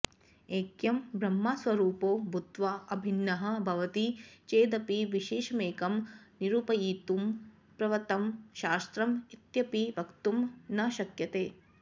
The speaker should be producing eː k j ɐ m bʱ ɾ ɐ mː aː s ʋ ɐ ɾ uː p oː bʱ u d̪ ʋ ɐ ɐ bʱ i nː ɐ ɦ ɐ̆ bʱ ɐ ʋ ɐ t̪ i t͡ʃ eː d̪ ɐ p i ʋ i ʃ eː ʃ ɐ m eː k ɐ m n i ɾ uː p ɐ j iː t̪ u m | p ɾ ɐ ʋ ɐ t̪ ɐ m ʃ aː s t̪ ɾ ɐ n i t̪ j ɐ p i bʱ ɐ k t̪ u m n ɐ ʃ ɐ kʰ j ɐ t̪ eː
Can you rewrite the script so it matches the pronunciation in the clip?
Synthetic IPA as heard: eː k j ɐ m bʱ ɾ ɐ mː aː s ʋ ɐ ɾ uː p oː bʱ u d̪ ʋ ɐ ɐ bʱ i nː ɐ ɦ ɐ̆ bʱ ɐ ʋ ɐ t̪ i t͡ʃ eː d̪ ɐ p i ʋ i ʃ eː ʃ ɐ m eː k ɐ m n i ɾ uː p ɐ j iː t̪ u m | p ɾ ɐ ʋ ɐ t̪ ɐ m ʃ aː s t̪ ɾ ɐ m i t̪ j ɐ p i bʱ ɐ k t̪ u m n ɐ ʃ ɐ k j ɐ t̪ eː